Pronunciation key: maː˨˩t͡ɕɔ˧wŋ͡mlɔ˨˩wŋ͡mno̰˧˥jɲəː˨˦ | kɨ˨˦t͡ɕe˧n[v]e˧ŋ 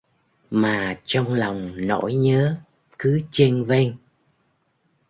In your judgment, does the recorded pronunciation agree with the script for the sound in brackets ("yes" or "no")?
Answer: yes